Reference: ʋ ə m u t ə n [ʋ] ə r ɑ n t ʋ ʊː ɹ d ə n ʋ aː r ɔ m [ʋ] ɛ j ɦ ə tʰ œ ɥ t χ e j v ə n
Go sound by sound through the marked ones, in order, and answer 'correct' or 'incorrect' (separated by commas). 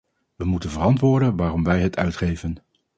incorrect, correct